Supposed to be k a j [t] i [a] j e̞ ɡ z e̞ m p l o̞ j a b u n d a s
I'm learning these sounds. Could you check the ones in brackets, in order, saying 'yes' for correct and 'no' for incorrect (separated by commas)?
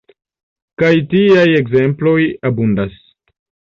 yes, yes